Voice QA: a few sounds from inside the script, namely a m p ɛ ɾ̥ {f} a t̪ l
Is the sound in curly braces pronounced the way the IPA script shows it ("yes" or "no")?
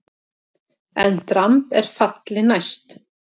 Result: yes